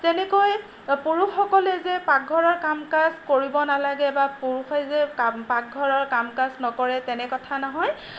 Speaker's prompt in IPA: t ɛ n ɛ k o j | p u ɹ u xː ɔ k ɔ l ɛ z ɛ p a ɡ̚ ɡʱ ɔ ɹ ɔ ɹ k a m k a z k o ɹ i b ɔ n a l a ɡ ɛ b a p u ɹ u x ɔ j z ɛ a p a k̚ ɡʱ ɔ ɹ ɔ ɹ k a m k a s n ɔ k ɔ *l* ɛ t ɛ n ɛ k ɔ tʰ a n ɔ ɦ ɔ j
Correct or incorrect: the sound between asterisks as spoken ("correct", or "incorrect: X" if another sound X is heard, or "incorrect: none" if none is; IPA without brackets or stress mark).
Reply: incorrect: ɹ